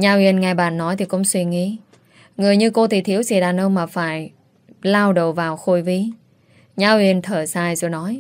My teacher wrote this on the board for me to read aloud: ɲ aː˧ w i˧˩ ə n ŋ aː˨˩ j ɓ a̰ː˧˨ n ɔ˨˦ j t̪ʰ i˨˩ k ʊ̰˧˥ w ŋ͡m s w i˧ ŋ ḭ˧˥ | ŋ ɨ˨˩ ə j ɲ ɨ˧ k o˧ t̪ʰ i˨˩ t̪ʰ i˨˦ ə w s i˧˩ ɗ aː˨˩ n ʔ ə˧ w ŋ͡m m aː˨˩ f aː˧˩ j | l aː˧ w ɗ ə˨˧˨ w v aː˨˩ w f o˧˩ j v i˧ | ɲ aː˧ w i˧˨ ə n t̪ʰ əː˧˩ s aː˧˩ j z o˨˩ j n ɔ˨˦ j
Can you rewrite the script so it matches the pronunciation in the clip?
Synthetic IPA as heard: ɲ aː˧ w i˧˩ ə n ŋ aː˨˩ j ɓ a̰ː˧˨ nː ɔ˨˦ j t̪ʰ i˨˩ k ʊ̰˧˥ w ŋ͡m s w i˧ ŋ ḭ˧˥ | ŋ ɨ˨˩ ə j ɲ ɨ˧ k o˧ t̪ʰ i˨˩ t̪ʰ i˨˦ ə w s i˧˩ ɗ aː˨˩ n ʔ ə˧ w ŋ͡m m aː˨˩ f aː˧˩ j | l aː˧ w ɗ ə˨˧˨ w v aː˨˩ w x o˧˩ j v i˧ | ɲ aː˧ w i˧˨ ə n t̪ʰ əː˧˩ s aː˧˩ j z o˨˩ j n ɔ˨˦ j